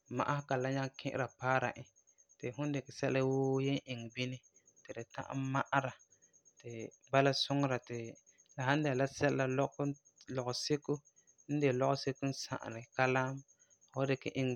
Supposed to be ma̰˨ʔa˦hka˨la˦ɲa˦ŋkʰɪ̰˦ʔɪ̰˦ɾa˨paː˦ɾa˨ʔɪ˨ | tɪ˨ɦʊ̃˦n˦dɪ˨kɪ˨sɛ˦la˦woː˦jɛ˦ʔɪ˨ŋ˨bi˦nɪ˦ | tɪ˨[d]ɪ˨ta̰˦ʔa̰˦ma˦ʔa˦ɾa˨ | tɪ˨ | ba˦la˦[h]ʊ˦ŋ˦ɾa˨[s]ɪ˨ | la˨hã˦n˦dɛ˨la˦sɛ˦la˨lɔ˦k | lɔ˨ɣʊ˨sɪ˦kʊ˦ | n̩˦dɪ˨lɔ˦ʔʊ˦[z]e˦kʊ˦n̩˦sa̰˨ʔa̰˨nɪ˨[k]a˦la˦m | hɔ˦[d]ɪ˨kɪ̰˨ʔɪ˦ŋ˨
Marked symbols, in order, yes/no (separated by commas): yes, no, no, no, yes, yes